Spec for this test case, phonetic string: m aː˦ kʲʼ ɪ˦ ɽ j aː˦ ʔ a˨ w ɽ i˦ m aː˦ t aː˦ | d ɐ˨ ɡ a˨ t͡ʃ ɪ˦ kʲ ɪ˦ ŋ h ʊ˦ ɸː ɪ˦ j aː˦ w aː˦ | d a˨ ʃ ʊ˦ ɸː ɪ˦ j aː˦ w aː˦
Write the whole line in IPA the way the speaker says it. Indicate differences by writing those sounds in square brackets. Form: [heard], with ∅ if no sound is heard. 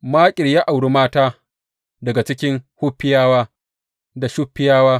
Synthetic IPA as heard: m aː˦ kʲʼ [ɪ˨] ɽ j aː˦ ʔ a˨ w ɽ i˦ m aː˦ t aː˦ | d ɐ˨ ɡ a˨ t͡ʃ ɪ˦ kʲ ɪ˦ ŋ h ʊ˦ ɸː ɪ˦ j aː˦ w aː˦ | d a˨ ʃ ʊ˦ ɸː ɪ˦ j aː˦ w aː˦